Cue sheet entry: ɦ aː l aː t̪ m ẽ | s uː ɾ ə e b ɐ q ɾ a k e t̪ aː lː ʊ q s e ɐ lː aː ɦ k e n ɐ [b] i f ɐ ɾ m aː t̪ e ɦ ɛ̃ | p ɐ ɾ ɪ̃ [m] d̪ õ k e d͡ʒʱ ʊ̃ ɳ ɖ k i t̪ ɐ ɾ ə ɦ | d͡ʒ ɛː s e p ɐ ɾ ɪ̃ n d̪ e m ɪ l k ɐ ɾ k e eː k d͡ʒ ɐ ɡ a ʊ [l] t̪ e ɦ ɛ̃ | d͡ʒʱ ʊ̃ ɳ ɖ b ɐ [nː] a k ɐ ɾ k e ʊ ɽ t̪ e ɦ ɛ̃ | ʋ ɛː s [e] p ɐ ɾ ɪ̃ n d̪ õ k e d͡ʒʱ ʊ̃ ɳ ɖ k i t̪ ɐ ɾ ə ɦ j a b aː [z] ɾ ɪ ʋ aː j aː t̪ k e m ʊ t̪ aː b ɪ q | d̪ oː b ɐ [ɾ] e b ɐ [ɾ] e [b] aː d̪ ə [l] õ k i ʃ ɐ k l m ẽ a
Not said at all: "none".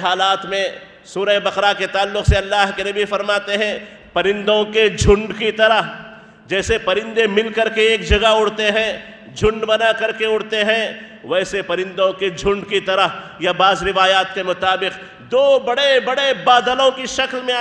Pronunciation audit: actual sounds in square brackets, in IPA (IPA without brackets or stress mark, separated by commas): b, n, ɽ, n, e, z, ɽ, ɽ, b, l